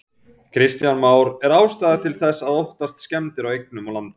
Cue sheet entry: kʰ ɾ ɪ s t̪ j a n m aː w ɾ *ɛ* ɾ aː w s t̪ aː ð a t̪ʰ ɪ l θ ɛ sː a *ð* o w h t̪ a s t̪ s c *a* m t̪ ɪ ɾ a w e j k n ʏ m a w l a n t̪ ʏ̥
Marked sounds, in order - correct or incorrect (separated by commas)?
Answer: correct, correct, incorrect